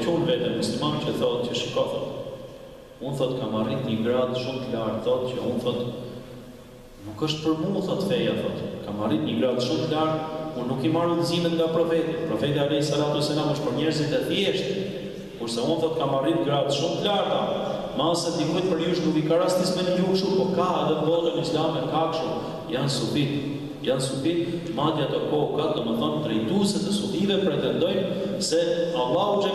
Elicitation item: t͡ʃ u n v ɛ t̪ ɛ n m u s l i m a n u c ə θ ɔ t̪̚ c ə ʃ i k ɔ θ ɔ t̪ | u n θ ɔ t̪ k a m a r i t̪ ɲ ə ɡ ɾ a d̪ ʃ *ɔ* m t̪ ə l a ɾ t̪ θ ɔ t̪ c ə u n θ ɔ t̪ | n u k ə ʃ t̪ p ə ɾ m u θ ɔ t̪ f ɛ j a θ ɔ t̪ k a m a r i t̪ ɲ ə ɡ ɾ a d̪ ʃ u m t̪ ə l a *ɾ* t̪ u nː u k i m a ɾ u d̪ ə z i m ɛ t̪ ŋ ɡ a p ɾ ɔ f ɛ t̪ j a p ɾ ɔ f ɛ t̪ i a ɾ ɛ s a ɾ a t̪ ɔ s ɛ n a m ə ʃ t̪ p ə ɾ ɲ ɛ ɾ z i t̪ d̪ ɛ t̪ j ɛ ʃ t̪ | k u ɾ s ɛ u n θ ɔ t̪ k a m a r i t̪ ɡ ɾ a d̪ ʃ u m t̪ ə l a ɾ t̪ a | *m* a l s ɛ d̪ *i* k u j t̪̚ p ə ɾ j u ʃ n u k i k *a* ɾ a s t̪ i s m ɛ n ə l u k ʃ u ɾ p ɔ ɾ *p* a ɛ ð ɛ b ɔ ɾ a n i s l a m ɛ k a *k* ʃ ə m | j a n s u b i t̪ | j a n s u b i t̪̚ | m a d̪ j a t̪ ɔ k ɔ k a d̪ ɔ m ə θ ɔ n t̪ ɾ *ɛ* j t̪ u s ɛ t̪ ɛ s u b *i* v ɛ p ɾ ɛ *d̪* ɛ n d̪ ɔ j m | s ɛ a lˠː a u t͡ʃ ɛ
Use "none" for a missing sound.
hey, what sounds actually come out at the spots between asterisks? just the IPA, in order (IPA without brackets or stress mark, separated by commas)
u, ɾ, m, i, a, k, k, ɛ, i, t̪